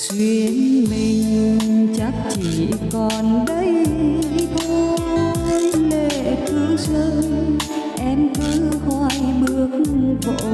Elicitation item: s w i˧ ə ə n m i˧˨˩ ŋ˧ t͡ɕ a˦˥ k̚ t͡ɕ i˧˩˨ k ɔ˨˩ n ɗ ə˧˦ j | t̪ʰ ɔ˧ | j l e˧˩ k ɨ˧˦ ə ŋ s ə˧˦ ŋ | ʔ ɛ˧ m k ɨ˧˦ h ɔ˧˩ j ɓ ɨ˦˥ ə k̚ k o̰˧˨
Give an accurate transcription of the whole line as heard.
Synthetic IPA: s w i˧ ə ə n m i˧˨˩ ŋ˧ t͡ɕ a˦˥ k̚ t͡ɕ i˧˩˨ k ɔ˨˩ n ɗ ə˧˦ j | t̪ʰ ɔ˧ | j l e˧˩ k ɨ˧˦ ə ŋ s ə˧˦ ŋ | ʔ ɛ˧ m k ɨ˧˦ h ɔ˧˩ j ɓ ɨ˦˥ ə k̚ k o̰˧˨

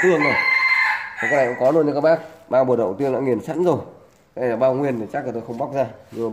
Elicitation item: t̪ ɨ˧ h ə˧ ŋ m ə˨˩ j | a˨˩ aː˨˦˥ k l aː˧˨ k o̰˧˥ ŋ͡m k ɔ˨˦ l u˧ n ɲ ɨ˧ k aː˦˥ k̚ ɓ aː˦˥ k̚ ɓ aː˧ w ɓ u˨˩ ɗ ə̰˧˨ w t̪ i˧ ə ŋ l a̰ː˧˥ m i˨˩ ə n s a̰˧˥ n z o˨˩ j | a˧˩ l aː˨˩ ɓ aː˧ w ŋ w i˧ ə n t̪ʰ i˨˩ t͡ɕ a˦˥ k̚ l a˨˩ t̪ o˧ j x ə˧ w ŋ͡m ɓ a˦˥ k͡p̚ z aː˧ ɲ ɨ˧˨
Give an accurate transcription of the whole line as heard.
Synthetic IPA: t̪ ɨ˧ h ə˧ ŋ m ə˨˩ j | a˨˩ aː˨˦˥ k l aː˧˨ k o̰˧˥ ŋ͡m k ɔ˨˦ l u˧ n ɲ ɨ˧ k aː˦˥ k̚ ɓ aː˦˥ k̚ ɓ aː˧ w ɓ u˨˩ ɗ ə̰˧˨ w t̪ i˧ ə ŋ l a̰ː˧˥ ŋ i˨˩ ə n s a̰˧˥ n z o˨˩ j | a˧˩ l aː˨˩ ɓ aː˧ w ŋ w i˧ ə n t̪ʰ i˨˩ t͡ɕ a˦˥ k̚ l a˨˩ t̪ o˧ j x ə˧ w ŋ͡m ɓ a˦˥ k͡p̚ z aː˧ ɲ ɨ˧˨

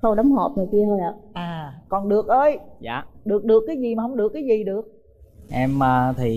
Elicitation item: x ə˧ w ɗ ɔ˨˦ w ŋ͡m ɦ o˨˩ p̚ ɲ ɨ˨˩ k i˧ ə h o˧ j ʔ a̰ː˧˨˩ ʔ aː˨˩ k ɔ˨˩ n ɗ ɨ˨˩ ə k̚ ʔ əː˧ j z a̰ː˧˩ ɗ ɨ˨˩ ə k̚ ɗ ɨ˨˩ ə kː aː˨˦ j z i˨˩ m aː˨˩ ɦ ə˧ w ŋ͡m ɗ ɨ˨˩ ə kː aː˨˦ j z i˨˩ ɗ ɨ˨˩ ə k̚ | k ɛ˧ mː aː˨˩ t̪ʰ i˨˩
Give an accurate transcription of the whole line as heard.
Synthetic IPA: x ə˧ w ɗ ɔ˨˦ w ŋ͡m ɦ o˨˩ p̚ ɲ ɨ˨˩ k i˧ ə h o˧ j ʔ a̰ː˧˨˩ ʔ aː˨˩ k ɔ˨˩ n ɗ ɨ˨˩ ə k̚ ʔ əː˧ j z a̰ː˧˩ ɗ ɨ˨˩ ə k̚ ɗ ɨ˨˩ ə kː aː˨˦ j z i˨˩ m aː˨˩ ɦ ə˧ w ŋ͡m ɗ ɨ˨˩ ə kː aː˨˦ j z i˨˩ ɗ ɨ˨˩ ə k̚ | ʔ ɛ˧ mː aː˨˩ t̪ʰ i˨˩

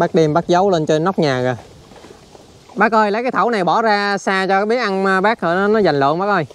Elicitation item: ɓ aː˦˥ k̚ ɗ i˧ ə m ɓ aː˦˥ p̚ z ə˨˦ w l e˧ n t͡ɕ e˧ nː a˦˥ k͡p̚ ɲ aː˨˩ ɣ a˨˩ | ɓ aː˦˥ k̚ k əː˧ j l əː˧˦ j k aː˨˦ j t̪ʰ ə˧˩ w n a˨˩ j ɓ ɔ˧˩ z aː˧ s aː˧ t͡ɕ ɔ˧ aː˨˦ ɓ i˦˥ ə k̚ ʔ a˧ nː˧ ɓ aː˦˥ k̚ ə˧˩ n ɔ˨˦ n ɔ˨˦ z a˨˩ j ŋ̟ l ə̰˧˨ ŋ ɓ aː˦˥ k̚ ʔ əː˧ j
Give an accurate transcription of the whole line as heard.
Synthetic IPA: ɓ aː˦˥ k̚ ɗ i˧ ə m ɓ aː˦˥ k̚ z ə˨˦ w l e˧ n t͡ɕ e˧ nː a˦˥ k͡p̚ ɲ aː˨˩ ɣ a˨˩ | ɓ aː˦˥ k̚ ʔ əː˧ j l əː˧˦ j k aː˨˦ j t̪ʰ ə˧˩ w n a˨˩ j ɓ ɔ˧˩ z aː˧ s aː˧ t͡ɕ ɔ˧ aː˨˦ ɓ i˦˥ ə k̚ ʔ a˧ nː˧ ɓ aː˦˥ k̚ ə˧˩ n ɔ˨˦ n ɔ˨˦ z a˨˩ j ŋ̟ l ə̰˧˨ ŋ ɓ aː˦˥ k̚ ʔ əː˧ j

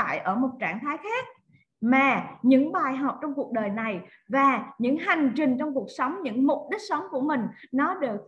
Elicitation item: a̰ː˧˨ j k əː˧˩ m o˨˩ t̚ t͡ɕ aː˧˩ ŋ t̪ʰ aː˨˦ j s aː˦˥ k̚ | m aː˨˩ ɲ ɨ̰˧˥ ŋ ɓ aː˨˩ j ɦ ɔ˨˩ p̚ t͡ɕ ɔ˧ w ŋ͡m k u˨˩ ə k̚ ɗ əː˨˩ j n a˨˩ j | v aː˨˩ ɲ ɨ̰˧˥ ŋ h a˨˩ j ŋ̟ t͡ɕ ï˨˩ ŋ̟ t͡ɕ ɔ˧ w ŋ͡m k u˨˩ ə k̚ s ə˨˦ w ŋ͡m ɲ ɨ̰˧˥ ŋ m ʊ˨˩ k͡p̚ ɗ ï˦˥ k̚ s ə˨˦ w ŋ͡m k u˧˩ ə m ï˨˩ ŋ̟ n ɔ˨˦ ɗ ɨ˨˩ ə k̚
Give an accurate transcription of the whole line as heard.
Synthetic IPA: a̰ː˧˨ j ʔ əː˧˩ m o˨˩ t̚ t͡ɕ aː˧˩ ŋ t̪ʰ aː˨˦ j x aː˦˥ k̚ | m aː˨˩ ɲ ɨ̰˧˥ ŋ ɓ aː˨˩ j ɦ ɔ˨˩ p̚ t͡ɕ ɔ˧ w ŋ͡m k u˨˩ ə k̚ ɗ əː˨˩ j n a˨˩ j | v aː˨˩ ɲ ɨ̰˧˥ ŋ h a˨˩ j ŋ̟ t͡ɕ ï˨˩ ŋ̟ t͡ɕ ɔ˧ w ŋ͡m k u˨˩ ə k̚ s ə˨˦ w ŋ͡m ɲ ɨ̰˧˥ ŋ m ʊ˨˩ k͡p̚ ɗ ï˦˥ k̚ s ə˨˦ w ŋ͡m k u˧˩ ə m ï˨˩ ŋ̟ n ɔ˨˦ ɗ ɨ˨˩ ə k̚

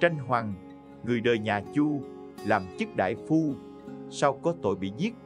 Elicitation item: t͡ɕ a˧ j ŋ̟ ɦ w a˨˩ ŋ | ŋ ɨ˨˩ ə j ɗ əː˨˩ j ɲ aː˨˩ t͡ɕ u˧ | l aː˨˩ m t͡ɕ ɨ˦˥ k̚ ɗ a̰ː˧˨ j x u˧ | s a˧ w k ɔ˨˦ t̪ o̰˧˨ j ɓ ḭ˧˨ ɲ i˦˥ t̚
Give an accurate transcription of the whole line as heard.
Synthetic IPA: t͡ɕ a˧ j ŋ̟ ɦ w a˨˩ ŋ | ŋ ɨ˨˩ ə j ɗ əː˨˩ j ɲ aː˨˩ t͡ɕ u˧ | l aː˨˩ m t͡ɕ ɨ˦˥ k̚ ɗ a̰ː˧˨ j f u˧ | s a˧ w k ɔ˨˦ t̪ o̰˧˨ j ɓ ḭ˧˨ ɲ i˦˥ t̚

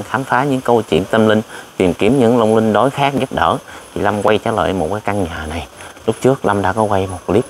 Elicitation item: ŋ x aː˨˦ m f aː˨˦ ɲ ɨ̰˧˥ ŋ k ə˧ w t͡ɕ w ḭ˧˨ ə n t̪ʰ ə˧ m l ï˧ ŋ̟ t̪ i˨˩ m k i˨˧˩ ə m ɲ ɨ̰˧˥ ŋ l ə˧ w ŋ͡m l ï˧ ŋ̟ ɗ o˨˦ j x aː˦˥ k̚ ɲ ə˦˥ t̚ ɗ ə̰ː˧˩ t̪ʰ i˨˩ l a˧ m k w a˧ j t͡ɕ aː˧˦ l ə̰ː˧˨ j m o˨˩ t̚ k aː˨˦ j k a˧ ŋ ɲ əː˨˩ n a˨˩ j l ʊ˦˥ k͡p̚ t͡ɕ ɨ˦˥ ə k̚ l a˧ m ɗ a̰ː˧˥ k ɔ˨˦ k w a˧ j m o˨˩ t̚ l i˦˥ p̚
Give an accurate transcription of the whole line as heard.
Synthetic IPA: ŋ x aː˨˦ m f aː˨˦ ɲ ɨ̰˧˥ ŋ k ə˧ w t͡ɕ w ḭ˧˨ ə n t̪ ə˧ m l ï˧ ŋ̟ t̪ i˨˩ m k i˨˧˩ ə m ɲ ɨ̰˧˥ ŋ l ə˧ w ŋ͡m l ï˧ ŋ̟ ɗ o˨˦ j x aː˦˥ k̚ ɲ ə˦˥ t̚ ɗ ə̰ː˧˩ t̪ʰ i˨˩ l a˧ m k w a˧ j t͡ɕ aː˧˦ l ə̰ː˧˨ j m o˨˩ t̚ k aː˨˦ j k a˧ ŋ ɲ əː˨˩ n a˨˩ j l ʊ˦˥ k͡p̚ t͡ɕ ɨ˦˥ ə k̚ l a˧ m ɗ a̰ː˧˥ k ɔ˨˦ k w a˧ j m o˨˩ t̚ l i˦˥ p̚

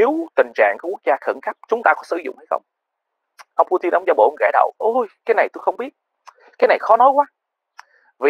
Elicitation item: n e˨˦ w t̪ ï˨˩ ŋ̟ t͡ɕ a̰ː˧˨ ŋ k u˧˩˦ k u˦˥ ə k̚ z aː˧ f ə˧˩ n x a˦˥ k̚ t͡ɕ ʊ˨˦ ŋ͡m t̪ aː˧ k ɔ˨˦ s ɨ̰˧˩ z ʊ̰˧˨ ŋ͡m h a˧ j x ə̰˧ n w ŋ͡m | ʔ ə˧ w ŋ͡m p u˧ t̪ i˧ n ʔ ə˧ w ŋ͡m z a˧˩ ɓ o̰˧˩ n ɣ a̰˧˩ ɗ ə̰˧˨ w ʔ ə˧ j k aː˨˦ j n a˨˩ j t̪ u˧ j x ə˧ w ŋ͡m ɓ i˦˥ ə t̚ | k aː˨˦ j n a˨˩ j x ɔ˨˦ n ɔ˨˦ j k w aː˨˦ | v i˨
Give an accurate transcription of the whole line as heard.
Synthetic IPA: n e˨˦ w t̪ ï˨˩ ŋ̟ t͡ɕ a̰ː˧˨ ŋ k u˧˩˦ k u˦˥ ə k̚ z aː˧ x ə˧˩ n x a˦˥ p̚ t͡ɕ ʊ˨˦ ŋ͡m t̪ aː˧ k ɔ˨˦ s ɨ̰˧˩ z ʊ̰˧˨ ŋ͡m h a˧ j x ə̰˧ w ŋ͡m | ʔ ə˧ w ŋ͡m p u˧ t̪ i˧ n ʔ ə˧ w ŋ͡m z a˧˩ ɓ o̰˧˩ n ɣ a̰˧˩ ɗ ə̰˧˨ w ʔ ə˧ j k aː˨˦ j n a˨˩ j t̪ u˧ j x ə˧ w ŋ͡m ɓ i˦˥ ə t̚ | k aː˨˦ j n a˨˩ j x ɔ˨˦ n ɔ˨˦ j k w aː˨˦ | v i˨

